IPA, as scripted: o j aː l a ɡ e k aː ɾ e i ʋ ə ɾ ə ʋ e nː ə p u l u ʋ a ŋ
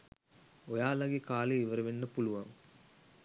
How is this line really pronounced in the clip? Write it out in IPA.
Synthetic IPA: o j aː l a ɡ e k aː l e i ʋ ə ɾ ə ʋ e nː ə p u l u ʋ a ŋ